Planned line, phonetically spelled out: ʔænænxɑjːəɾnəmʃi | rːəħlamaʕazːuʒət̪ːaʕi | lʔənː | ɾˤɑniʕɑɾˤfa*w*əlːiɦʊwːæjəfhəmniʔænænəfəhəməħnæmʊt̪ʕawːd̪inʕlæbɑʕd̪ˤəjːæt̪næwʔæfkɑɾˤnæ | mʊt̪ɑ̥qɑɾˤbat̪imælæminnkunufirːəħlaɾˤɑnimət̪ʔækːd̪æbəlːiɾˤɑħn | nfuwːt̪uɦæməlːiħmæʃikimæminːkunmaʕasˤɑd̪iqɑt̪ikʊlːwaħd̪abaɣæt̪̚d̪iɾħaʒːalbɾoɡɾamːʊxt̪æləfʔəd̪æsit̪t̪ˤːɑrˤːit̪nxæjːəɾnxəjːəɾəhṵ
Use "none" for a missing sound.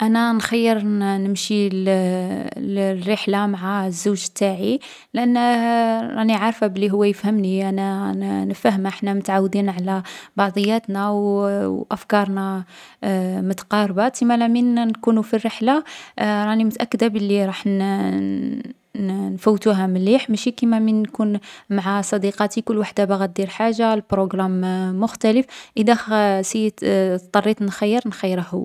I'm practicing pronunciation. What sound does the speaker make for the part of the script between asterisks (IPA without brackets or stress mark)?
b